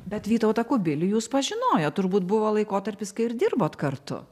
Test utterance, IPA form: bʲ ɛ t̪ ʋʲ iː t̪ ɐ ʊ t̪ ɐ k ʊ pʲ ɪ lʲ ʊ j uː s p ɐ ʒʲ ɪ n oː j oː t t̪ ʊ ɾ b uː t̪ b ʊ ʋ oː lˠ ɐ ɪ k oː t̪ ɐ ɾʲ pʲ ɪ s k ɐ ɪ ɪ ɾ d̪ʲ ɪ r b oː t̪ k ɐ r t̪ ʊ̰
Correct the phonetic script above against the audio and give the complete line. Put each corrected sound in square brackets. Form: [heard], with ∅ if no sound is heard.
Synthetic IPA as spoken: bʲ ɛ t̪ ʋʲ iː t̪ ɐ ʊ t̪ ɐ k ʊ [bʲ] ɪ lʲ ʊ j uː s p ɐ ʒʲ ɪ n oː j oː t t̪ ʊ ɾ b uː t̪ b ʊ ʋ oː lˠ ɐ ɪ k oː t̪ ɐ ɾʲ pʲ ɪ s k ɐ ɪ ɪ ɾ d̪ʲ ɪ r b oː t̪ k ɐ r t̪ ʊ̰

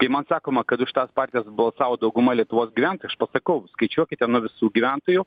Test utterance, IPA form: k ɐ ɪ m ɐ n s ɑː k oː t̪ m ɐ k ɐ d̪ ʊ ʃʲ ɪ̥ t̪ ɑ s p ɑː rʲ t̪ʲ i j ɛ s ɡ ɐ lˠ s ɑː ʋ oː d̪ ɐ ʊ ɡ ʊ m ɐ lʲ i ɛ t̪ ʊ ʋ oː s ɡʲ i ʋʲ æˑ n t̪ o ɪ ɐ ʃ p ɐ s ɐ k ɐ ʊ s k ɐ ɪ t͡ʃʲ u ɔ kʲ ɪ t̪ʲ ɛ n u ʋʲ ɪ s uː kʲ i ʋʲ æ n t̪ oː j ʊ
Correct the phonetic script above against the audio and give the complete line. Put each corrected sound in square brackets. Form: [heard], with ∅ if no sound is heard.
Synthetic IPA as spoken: k ɐ ɪ m ɐ n s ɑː k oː [∅] m ɐ k ɐ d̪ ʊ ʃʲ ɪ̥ t̪ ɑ s p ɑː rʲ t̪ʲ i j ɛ s [b] ɐ lˠ s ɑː ʋ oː d̪ ɐ ʊ ɡ ʊ m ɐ lʲ i ɛ t̪ ʊ ʋ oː s ɡʲ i ʋʲ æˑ n t̪ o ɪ ɐ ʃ p ɐ s ɐ k ɐ ʊ s k ɐ ɪ t͡ʃʲ u ɔ kʲ ɪ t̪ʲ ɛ n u ʋʲ ɪ s uː [ɡʲ] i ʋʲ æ n t̪ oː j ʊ

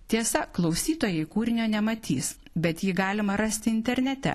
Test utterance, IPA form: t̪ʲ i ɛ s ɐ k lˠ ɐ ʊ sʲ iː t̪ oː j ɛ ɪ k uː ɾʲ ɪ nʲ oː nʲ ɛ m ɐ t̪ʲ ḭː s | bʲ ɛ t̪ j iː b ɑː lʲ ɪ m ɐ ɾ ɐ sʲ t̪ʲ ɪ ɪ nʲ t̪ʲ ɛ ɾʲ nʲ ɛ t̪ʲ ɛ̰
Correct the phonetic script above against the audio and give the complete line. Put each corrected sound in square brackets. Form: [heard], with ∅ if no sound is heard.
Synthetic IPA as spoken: t̪ʲ i ɛ s ɐ k lˠ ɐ ʊ sʲ iː t̪ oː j ɛ ɪ k uː ɾʲ ɪ nʲ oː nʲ ɛ m ɐ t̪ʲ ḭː s | bʲ ɛ t̪ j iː [ɡ] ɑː lʲ ɪ m ɐ ɾ ɐ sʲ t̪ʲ ɪ ɪ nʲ t̪ʲ ɛ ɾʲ nʲ ɛ t̪ʲ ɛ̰

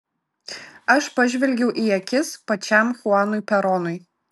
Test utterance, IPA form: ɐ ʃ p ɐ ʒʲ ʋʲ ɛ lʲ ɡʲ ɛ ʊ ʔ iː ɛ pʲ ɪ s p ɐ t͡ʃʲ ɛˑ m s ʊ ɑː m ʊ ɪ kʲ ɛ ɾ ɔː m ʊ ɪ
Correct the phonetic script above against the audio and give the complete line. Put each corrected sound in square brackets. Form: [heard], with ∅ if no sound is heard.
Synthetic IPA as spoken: ɐ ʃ p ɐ ʒʲ ʋʲ ɛ lʲ ɡʲ ɛ ʊ ʔ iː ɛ [kʲ] ɪ s p ɐ t͡ʃʲ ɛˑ m [x] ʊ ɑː [n] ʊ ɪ [pʲ] ɛ ɾ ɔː [n] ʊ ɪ

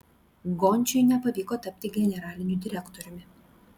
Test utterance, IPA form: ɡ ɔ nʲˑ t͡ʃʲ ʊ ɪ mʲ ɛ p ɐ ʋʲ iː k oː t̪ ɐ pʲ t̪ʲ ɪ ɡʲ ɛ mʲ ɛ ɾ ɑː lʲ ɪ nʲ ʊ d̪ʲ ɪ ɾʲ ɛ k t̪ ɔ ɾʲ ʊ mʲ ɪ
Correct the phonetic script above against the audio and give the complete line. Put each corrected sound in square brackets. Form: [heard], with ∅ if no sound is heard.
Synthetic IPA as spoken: ɡ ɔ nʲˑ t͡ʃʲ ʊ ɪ [nʲ] ɛ p ɐ ʋʲ iː k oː t̪ ɐ pʲ t̪ʲ ɪ ɡʲ ɛ [nʲ] ɛ ɾ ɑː lʲ ɪ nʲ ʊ d̪ʲ ɪ ɾʲ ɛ k t̪ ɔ ɾʲ ʊ mʲ ɪ

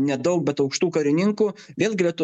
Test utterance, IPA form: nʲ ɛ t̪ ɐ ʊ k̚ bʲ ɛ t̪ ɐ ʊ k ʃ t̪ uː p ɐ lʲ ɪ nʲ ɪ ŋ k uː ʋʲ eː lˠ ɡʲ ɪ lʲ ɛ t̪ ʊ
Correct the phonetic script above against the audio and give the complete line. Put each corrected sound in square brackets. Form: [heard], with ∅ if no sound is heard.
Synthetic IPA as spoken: nʲ ɛ [d̪] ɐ ʊ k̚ bʲ ɛ t̪ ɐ ʊ k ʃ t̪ uː [k] ɐ [ɾʲ] ɪ nʲ ɪ ŋ k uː ʋʲ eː lˠ ɡʲ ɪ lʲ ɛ t̪ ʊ

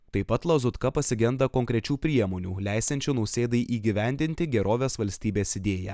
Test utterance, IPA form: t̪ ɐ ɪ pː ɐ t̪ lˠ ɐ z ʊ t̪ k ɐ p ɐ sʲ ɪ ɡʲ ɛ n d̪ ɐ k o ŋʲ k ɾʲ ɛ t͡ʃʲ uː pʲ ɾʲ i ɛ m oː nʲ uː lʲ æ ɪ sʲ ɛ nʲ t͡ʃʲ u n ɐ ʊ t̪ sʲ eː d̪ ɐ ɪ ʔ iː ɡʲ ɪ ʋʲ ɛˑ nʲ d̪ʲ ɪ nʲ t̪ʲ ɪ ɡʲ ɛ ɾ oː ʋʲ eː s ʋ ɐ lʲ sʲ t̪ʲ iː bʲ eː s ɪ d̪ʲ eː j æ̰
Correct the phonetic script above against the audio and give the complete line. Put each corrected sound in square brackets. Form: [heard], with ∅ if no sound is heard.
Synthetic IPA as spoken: t̪ ɐ ɪ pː ɐ t̪ lˠ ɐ z ʊ t̪ k ɐ p ɐ sʲ ɪ ɡʲ ɛ n d̪ ɐ k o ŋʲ k ɾʲ ɛ t͡ʃʲ uː pʲ ɾʲ i ɛ m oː nʲ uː lʲ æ ɪ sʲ ɛ nʲ t͡ʃʲ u n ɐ ʊ [∅] sʲ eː d̪ ɐ ɪ ʔ iː ɡʲ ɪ ʋʲ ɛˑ nʲ d̪ʲ ɪ nʲ t̪ʲ ɪ ɡʲ ɛ ɾ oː ʋʲ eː s ʋ ɐ lʲ sʲ t̪ʲ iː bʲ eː s ɪ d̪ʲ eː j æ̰

